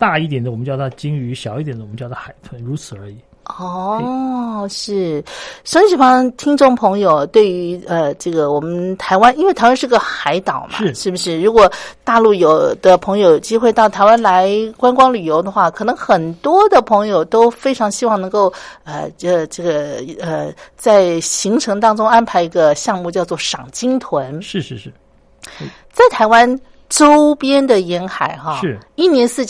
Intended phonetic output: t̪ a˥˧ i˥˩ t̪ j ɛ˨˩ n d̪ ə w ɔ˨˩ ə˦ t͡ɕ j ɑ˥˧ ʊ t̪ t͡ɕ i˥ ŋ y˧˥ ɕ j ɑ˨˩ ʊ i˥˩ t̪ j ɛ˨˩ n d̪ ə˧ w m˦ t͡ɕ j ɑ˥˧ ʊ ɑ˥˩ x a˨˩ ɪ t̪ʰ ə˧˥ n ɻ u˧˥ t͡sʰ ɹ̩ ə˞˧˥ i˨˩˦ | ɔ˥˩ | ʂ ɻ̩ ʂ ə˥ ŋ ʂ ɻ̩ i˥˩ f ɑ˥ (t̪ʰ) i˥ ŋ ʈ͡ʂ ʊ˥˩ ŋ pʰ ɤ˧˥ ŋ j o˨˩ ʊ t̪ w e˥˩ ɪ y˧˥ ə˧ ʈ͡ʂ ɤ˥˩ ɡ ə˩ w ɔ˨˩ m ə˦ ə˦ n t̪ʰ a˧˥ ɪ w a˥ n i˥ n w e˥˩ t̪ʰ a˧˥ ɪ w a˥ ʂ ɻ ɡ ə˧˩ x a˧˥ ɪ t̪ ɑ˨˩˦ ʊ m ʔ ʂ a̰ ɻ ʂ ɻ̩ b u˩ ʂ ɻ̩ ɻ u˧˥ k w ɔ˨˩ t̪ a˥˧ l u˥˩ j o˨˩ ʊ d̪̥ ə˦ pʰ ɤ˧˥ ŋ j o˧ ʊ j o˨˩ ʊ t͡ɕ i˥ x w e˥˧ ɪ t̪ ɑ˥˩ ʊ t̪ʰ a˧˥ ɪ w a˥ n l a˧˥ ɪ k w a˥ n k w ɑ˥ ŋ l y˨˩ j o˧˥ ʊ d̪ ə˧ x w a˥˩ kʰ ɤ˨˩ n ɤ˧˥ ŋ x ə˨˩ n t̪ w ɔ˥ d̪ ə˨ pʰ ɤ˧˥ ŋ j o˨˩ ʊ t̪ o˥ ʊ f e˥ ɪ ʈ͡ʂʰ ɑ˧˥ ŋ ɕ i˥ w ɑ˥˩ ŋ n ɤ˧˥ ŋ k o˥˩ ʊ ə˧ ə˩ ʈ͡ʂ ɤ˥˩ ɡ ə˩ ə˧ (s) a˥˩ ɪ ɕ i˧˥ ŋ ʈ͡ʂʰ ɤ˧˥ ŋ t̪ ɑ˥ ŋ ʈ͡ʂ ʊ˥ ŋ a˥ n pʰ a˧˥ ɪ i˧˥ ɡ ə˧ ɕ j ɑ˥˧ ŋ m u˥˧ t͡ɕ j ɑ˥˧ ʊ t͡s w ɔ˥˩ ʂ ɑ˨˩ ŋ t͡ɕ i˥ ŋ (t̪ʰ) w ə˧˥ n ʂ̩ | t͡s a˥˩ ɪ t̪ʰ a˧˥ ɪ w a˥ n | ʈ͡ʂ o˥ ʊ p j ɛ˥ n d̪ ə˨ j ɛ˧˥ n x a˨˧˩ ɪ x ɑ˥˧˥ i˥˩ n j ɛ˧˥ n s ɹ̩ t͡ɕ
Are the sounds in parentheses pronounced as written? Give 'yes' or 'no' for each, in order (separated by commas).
yes, no, yes